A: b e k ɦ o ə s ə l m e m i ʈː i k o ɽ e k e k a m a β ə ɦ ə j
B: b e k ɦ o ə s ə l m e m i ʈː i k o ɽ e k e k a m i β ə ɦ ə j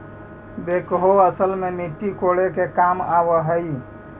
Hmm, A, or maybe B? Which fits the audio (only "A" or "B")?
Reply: A